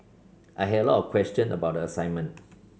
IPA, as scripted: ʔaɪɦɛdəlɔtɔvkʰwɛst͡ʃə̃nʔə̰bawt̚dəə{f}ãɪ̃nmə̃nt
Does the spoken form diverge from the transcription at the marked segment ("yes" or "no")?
yes